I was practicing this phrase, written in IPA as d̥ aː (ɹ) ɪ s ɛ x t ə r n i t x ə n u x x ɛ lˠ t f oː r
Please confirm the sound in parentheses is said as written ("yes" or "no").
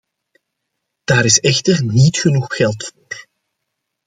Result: no